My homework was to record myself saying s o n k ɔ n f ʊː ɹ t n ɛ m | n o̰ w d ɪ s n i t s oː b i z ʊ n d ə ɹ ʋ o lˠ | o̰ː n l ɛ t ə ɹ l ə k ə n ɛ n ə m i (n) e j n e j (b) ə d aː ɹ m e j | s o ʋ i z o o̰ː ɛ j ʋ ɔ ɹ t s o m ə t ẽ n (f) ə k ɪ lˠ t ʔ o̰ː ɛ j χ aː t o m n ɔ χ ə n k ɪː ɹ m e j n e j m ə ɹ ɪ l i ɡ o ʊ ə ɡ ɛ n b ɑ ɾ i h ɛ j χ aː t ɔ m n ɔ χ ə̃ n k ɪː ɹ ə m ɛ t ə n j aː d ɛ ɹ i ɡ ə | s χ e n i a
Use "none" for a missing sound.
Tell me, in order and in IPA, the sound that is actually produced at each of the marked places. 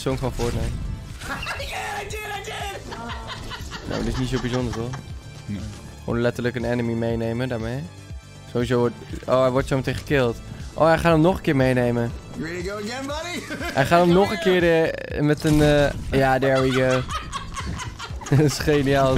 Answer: m, m, χ

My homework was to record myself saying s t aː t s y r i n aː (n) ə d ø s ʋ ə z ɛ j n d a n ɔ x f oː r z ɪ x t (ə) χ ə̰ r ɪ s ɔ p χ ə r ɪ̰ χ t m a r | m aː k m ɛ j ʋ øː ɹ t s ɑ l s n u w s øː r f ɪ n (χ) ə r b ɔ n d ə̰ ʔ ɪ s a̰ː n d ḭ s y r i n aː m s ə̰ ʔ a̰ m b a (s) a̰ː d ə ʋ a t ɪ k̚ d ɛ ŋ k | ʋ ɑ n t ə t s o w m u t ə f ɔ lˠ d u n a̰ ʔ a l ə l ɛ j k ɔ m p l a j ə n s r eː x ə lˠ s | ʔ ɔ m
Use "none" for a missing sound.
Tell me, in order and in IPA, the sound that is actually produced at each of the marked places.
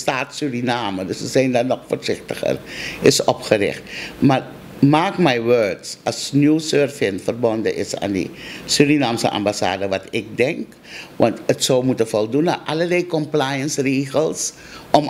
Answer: m, ə, f, s

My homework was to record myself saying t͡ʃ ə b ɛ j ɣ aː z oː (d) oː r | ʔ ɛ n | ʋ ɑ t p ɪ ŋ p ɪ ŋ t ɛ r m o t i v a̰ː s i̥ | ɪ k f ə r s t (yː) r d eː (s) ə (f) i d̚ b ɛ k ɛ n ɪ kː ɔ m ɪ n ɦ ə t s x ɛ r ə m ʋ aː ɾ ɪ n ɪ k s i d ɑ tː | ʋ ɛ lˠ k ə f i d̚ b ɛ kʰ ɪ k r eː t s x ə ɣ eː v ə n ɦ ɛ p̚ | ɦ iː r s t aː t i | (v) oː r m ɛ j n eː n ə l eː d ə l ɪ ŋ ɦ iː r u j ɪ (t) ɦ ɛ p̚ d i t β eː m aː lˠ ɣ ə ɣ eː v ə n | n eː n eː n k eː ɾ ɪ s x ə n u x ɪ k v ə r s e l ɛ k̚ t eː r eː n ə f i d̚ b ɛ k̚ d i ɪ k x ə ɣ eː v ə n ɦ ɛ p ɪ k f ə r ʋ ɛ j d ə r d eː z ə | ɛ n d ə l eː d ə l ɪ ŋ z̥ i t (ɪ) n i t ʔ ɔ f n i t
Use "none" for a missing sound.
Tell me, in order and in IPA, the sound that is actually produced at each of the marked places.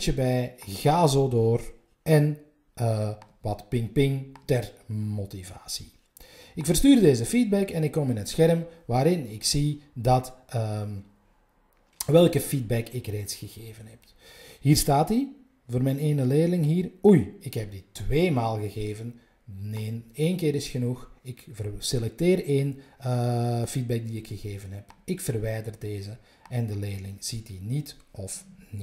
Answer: d, yː, z, f, v, k, i

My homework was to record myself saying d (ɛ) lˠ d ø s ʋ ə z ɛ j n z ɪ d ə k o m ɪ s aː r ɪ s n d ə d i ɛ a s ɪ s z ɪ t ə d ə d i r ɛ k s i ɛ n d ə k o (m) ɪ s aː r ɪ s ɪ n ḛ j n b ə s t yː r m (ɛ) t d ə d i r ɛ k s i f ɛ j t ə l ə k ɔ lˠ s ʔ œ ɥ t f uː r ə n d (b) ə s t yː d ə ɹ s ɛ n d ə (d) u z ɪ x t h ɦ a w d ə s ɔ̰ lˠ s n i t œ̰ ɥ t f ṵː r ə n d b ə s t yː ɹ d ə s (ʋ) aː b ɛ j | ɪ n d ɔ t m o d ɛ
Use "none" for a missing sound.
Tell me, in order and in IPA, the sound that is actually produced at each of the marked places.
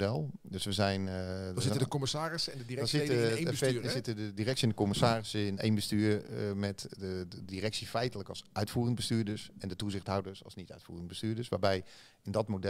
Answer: ɛ, m, ɛ, b, t, ʋ

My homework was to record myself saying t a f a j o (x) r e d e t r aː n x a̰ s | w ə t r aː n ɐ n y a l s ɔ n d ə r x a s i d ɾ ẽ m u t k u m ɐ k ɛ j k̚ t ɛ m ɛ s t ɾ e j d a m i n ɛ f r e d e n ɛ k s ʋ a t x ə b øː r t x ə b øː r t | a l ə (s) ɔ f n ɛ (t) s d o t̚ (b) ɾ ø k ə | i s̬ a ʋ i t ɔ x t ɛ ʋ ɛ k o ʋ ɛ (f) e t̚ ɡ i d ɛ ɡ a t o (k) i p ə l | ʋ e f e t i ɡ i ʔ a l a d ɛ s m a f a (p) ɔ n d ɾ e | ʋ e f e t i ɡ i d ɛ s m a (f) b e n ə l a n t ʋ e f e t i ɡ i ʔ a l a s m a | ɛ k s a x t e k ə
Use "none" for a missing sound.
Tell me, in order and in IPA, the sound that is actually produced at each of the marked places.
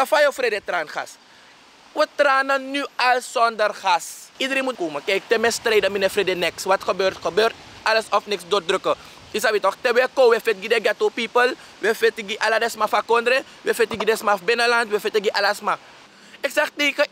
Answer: f, s, k, d, f, p, k, f

